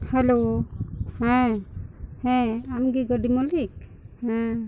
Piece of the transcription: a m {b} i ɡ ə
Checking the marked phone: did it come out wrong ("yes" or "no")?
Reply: yes